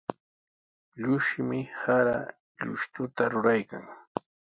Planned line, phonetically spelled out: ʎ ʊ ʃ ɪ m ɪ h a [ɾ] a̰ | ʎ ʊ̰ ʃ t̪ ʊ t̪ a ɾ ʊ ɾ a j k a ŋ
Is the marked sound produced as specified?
yes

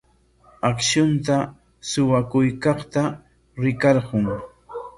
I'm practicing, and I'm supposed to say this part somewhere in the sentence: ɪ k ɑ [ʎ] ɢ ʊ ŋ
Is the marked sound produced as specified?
no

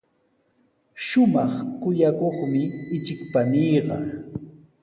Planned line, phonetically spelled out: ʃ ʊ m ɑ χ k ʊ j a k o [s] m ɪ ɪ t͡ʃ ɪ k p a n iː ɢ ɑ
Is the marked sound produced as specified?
no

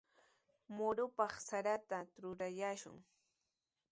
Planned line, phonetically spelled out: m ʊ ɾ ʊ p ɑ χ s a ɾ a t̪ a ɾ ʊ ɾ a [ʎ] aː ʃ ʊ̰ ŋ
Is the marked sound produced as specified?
no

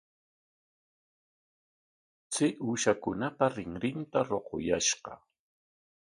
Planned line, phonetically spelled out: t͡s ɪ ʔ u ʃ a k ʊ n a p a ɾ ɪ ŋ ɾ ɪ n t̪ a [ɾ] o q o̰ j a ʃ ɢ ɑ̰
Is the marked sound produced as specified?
yes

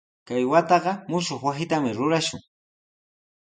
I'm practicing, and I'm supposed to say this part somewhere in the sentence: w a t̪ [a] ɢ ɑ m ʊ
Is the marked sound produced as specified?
no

